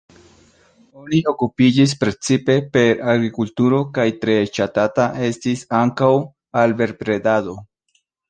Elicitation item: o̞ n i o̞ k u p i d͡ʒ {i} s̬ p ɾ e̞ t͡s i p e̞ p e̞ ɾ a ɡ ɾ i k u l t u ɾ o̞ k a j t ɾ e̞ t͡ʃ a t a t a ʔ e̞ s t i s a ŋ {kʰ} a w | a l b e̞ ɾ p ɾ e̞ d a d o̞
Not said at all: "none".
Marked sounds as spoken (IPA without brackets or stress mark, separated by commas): i, k